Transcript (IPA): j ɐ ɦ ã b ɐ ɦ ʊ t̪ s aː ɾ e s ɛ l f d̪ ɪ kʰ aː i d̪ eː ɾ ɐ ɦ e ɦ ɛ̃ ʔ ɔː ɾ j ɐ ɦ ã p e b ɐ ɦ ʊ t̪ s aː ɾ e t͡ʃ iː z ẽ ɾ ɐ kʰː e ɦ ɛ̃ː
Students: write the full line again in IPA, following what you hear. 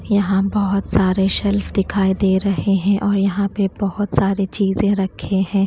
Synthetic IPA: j ɐ ɦ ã b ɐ ɦ ʊ t̪ s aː ɾ e ʃ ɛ l f d̪ ɪ kʰ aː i d̪ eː ɾ ɐ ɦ e ɦ ɛ̃ ʔ ɔː ɾ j ɐ ɦ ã p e b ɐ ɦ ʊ t̪ s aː ɾ e t͡ʃ iː z ẽ ɾ ɐ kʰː e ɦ ɛ̃ː